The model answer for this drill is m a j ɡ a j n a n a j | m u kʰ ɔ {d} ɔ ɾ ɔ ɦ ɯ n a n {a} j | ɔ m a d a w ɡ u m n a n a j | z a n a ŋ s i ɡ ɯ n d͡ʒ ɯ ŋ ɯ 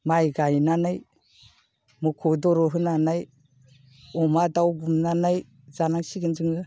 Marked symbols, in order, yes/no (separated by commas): yes, yes